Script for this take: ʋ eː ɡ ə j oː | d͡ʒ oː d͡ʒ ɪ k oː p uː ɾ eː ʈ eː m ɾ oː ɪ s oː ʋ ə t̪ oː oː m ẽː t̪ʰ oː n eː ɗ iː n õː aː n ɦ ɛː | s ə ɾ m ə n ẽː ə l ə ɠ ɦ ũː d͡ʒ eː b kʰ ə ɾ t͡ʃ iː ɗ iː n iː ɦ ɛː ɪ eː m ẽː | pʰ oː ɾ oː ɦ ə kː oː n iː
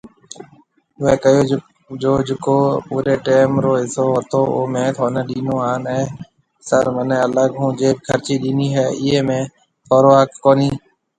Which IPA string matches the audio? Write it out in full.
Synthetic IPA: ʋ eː k ə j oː | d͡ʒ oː d͡ʒ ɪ k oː p uː ɾ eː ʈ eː m ɾ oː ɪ s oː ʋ ə t̪ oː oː m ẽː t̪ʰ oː n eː ɗ iː n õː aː n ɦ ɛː | s ə ɾ m ə n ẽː ə l ə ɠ ɦ ũː d͡ʒ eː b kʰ ə ɾ t͡ʃ iː ɗ iː n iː ɦ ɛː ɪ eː m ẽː | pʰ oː ɾ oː ɦ ə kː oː n iː